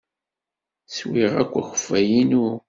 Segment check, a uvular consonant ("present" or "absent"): present